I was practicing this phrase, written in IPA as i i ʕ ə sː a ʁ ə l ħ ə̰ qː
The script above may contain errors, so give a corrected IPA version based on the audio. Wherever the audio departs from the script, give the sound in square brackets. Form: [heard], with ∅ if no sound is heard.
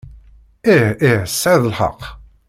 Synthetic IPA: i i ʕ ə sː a [ð] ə l ħ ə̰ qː

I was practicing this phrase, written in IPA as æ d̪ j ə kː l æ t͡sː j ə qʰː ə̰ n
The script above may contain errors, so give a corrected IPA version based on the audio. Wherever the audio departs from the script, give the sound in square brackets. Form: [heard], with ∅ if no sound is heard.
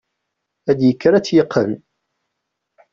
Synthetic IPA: æ d̪ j ə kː [ɾ] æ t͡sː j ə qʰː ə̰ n

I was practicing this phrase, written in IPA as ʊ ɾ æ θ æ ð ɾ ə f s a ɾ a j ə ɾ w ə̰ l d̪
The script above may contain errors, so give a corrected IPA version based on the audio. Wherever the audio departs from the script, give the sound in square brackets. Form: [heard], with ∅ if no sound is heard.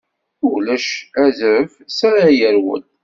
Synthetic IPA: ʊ [l] æ [ʃ] æ [z] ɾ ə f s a ɾ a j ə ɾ w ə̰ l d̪

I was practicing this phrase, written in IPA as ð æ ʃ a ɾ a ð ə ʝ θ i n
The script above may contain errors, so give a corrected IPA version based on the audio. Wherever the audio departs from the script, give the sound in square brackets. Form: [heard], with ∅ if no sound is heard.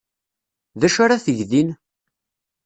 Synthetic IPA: ð æ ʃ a ɾ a [θ] ə ʝ [ð] i n

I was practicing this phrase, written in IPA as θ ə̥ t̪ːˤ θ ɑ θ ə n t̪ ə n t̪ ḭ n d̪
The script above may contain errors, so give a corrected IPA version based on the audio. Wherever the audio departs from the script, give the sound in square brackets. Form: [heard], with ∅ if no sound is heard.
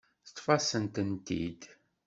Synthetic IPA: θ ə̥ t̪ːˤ [f] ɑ [s] ə n t̪ ə n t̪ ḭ [∅] d̪

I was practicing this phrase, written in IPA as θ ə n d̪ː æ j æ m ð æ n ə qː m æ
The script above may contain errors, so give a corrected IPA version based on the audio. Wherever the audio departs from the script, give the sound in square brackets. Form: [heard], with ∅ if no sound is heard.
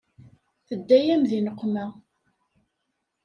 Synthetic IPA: θ ə [∅] d̪ː æ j æ m ð [i] n ə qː m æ

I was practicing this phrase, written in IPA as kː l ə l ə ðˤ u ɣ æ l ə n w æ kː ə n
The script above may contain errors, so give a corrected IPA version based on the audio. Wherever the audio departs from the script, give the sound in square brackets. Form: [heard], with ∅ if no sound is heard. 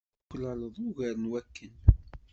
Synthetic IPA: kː l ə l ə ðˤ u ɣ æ [ɾ] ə n w æ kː ə n

